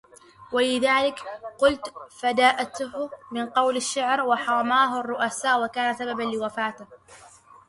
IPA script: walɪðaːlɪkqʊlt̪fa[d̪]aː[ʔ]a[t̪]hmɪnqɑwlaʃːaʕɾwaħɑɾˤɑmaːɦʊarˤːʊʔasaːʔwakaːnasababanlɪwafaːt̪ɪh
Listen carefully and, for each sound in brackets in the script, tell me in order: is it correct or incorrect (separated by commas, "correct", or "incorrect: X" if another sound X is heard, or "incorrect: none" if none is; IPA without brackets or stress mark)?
correct, correct, correct